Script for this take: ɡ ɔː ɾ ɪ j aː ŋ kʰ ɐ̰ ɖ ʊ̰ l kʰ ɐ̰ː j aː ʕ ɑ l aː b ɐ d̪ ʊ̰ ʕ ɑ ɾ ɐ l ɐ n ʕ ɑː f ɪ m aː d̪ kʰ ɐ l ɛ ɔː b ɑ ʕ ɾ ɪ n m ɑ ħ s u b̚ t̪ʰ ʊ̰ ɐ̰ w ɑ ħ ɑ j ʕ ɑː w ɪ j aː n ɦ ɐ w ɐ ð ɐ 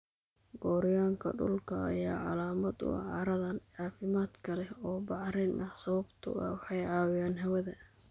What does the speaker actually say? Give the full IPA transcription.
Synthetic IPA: ɡ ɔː ɾ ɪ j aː ŋ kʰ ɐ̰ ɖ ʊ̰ l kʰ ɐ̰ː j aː ʕ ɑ l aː m ɐ d̪ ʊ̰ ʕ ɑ ɾ ɐ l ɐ n ʕ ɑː f ɪ m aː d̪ kʰ ɐ l ɛ ɔː b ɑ ʕ ɾ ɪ n m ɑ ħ s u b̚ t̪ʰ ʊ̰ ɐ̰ w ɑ ħ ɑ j ʕ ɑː w ɪ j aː n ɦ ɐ w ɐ ð ɐ